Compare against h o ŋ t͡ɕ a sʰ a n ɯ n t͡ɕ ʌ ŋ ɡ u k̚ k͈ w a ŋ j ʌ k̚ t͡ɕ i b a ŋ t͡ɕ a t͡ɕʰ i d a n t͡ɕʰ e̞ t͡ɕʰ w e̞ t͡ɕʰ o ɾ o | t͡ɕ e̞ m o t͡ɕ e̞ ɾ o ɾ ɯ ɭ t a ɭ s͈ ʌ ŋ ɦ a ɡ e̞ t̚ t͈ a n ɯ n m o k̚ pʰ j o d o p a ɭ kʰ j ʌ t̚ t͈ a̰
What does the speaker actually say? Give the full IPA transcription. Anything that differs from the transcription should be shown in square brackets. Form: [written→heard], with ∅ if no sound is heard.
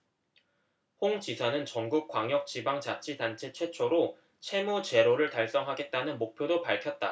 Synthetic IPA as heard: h o ŋ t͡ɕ [a→i] sʰ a n ɯ n t͡ɕ ʌ ŋ ɡ u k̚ k͈ w a ŋ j ʌ k̚ t͡ɕ i b a ŋ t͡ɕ a t͡ɕʰ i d a n t͡ɕʰ e̞ t͡ɕʰ w e̞ t͡ɕʰ o ɾ o | [t͡ɕ→t͡ɕʰ] e̞ m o t͡ɕ e̞ ɾ o ɾ ɯ ɭ t a ɭ s͈ ʌ ŋ ɦ a ɡ e̞ t̚ t͈ a n ɯ n m o k̚ pʰ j o d o p a ɭ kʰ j ʌ t̚ t͈ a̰